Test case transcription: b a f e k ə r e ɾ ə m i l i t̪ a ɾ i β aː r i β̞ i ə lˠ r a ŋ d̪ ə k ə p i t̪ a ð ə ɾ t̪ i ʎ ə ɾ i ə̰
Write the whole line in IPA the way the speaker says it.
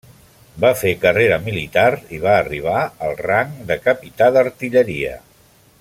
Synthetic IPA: b a f e k ə r e ɾ ə m i l i t̪ a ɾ i β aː r i β̞ a ə lˠ r a ŋ d̪ ə k ə p i t̪ a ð ə ɾ t̪ i ʎ ə ɾ i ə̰